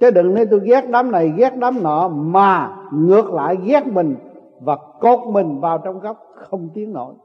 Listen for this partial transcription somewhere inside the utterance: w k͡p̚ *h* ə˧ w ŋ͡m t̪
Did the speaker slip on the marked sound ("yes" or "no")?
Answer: yes